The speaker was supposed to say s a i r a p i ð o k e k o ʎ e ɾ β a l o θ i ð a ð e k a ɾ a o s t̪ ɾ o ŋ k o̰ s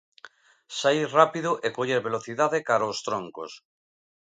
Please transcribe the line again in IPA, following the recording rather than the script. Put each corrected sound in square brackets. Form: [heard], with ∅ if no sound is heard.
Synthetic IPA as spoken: s a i r a p i ð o [ʔ] e k o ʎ e ɾ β [e] l o θ i ð a ð e k a ɾ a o s t̪ ɾ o ŋ k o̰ s